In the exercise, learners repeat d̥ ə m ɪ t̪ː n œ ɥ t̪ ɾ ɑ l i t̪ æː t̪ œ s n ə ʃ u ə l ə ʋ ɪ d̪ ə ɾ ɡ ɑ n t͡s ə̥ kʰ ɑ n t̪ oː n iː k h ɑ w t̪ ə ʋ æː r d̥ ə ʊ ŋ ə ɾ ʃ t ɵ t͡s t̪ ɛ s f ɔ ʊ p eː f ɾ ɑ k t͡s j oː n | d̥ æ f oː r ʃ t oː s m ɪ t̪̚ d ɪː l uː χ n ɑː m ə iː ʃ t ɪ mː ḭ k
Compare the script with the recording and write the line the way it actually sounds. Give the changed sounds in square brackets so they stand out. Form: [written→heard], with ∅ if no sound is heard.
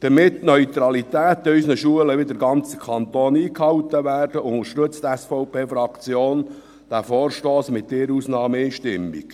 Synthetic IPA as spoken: d̥ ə m ɪ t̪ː n œ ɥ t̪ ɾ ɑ l i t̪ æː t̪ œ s n ə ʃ u ə l ə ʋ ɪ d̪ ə ɾ ɡ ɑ n t͡s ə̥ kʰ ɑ n t̪ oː n iː k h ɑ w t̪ ə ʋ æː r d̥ ə ʊ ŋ ə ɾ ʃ t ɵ t͡s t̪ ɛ s f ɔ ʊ p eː f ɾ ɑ k t͡s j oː n | d̥ æ f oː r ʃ t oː s m ɪ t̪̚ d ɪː [l→ɾ] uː [χ→s] n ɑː m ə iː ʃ t ɪ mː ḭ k

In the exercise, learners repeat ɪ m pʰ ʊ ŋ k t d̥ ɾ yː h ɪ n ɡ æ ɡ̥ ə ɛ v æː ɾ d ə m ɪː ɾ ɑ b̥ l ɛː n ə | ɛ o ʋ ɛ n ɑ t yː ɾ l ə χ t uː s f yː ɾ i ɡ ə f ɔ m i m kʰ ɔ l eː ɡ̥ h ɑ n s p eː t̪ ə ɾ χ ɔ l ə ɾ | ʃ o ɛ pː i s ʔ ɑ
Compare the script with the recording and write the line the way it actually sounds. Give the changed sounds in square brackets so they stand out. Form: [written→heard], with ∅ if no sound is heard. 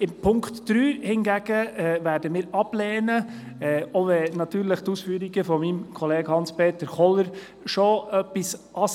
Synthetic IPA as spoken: ɪ m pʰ ʊ ŋ k t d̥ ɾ yː h ɪ n ɡ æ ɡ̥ ə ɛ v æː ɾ d ə m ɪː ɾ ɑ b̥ l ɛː n ə | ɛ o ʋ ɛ n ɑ t yː ɾ l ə χ t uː s f yː ɾ i ɡ ə f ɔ m i m kʰ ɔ l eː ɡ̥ h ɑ n s p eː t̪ ə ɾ χ ɔ l ə ɾ | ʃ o [ɛ→œ] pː i s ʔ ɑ

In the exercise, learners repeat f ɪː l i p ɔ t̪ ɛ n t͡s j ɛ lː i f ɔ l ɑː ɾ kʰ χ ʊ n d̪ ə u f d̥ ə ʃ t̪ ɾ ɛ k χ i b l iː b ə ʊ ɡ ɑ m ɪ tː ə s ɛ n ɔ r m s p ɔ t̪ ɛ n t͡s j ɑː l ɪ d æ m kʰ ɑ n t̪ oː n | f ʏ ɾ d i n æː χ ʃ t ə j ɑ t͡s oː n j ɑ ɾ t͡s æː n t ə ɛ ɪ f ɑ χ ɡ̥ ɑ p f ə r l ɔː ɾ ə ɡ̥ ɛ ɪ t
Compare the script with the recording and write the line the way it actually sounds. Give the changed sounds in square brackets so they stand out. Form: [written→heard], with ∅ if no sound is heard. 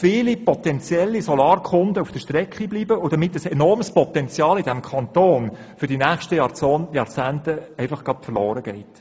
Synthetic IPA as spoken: f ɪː l i p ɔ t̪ ɛ n t͡s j ɛ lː i [f→s] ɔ l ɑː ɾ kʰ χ ʊ n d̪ ə u f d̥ ə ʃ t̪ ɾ ɛ k χ i b l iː b ə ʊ [ɡ→d] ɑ m ɪ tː ə s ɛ n ɔ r m s p ɔ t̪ ɛ n t͡s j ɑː l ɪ d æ m kʰ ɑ n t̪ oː n | f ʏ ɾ d i n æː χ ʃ t ə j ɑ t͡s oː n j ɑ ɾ t͡s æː n t ə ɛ ɪ f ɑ χ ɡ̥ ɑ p f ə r l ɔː ɾ ə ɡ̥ ɛ ɪ t

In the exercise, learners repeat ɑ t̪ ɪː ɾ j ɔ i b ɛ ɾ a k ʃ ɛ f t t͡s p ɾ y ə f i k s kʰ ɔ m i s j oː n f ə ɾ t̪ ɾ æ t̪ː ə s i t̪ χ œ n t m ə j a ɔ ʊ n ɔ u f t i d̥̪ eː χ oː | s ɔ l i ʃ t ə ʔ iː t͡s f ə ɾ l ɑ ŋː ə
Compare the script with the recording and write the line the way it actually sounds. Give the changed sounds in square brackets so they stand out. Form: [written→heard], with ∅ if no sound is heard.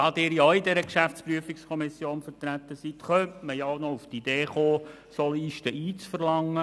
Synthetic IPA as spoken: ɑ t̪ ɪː ɾ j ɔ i [b→d] ɛ ɾ [a→ə] k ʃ [ɛ→æ] f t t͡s p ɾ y ə f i k s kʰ ɔ m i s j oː n f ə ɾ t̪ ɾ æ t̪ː ə s i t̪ χ œ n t m ə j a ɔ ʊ n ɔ u f t i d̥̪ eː χ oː | s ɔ l i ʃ t ə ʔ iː t͡s f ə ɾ l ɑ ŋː ə

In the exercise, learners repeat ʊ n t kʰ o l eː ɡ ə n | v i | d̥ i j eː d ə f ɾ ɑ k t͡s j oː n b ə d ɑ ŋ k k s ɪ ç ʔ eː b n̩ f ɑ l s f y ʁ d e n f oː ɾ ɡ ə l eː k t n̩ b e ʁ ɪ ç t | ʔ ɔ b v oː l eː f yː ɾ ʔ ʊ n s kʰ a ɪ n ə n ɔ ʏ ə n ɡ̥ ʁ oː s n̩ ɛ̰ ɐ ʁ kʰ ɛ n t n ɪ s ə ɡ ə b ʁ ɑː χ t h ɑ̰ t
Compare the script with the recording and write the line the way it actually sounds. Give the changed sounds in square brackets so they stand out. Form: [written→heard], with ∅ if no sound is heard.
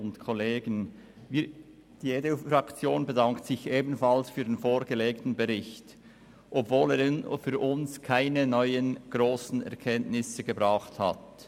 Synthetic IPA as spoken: ʊ n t kʰ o l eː ɡ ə n | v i | d̥ i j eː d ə f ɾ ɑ k t͡s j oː n b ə d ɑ ŋ k [k→t] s ɪ ç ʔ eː b n̩ f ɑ l s f [y→yː] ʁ d e n f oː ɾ ɡ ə l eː k t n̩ b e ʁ ɪ ç t | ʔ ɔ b v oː l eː f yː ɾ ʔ ʊ n s kʰ a ɪ n ə n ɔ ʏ ə n ɡ̥ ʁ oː s n̩ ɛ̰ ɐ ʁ kʰ ɛ n t n ɪ s ə ɡ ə b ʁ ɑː χ t h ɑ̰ t

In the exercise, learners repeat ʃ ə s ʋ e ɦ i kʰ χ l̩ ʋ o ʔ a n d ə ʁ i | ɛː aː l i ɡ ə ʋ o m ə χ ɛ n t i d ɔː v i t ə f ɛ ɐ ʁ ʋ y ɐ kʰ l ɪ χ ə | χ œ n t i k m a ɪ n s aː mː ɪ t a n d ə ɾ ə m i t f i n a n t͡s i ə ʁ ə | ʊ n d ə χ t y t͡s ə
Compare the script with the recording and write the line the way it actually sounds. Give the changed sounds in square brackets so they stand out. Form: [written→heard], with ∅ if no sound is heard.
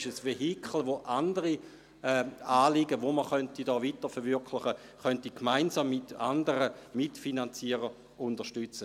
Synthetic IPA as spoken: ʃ ə s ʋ e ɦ i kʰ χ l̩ ʋ o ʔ a n d ə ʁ i | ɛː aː l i ɡ ə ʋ o m ə χ [ɛ→œ] n t i d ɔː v i t ə f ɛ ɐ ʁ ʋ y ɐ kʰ l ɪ χ ə | χ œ n t i k m a ɪ n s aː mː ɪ t a n d ə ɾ ə m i t f i n a n t͡s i ə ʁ ə | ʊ n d ə [χ→ʃ] t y t͡s ə

